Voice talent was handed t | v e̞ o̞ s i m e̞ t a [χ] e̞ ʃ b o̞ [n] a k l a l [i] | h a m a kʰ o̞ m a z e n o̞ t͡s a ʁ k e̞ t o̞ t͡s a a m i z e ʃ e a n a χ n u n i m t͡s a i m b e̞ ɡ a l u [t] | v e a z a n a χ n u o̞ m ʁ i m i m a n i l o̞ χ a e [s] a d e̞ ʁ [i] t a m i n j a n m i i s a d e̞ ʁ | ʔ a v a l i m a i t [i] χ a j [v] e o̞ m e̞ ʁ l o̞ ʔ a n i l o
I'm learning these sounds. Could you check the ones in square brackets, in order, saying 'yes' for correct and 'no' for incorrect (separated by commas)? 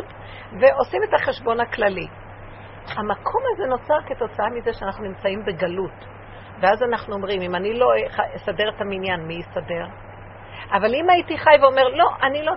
yes, yes, yes, yes, yes, no, yes, yes